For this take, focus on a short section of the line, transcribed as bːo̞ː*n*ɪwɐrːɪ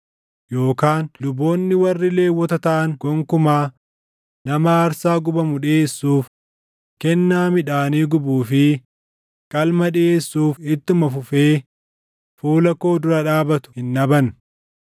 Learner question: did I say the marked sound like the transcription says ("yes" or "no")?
no